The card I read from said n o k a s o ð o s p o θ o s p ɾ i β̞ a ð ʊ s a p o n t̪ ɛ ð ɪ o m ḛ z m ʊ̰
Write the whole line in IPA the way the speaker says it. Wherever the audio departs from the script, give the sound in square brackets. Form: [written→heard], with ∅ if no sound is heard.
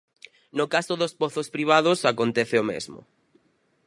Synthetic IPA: n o k a s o ð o s p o θ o s p ɾ i β̞ a ð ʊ s a [p→k] o n t̪ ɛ [ð→θ] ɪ o m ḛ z m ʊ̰